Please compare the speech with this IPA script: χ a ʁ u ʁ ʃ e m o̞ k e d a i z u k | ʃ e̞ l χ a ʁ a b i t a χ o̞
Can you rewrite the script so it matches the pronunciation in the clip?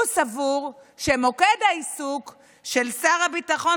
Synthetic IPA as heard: s a v u ʁ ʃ e m o̞ k e d a i s u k | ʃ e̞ l s a ʁ a b i t a χ o̞